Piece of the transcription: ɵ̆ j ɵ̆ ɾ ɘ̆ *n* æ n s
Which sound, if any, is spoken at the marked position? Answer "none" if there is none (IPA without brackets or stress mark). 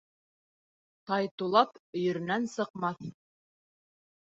n